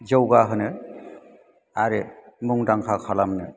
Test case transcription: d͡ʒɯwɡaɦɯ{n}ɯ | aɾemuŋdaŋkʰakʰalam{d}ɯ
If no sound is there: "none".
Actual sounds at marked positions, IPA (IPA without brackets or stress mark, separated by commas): n, n